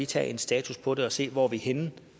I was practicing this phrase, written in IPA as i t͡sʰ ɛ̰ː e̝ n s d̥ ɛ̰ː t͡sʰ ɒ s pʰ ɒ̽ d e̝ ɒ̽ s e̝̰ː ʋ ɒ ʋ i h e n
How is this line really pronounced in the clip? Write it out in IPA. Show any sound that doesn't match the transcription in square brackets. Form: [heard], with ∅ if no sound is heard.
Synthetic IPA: i t͡sʰ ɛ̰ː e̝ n s d̥ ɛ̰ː t͡sʰ [u] s pʰ ɒ̽ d e̝ ɒ̽ s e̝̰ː ʋ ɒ ʋ i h e n